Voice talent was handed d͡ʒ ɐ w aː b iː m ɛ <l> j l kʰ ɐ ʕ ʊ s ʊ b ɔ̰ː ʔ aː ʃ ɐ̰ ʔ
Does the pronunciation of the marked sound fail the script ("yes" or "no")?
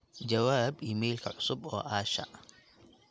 yes